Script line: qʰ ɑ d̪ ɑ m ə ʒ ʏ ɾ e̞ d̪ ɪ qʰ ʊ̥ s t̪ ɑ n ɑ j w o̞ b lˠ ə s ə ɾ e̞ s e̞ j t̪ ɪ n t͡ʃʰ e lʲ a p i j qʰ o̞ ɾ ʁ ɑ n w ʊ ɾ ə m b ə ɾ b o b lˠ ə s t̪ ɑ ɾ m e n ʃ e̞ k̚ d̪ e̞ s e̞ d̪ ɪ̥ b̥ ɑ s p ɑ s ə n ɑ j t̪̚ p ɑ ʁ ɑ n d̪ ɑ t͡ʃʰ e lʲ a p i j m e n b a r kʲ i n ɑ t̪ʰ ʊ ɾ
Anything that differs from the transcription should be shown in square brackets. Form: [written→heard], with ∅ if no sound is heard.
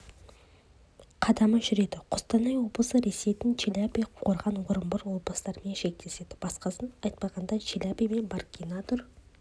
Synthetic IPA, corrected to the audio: qʰ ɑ d̪ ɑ m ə ʒ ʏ ɾ e̞ d̪ ɪ qʰ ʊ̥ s t̪ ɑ n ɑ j w o̞ b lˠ ə s ə ɾ e̞ s e̞ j t̪ ɪ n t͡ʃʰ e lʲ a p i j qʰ o̞ ɾ ʁ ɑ n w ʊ ɾ ə m b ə ɾ [b→w] o b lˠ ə s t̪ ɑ ɾ m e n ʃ e̞ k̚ [d̪→t̪] e̞ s e̞ d̪ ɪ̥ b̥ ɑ s [p→q] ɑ s ə n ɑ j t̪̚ p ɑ ʁ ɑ n d̪ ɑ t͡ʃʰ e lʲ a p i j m e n b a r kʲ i n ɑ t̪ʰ ʊ ɾ